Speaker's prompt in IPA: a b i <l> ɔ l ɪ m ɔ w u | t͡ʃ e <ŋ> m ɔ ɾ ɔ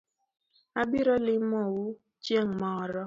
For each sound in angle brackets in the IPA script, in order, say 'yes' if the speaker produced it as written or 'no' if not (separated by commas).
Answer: no, yes